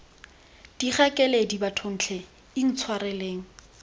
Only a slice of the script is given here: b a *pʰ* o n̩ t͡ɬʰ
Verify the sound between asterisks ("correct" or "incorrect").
incorrect